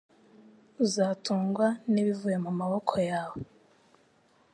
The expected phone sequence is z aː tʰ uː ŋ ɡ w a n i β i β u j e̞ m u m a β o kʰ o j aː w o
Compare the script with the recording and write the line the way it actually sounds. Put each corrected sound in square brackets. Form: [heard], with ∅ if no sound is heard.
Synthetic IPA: z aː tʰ uː ŋ ɡ w a n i β i [v] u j e̞ m u m a β o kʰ o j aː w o